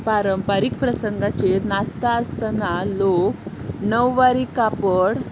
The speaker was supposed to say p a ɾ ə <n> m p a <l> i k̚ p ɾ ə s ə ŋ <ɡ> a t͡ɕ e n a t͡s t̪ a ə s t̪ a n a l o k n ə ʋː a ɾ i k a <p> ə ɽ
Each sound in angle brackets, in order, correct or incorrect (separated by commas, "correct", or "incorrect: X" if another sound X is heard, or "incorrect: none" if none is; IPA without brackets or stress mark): incorrect: none, incorrect: ɾ, correct, correct